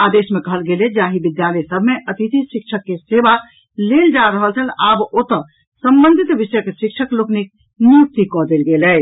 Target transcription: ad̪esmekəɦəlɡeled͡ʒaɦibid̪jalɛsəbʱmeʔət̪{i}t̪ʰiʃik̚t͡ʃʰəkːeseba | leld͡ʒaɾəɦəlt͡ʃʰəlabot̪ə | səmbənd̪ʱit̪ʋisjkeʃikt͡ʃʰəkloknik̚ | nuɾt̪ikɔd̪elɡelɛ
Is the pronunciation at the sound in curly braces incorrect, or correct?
correct